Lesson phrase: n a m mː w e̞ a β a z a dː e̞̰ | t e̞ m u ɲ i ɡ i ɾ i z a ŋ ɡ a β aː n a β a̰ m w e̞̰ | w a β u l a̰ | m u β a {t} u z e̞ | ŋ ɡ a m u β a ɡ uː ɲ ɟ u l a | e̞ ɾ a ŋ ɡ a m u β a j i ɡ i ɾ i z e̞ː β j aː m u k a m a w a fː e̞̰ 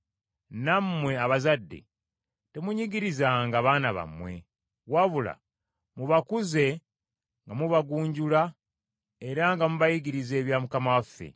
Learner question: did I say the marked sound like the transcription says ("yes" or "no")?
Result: no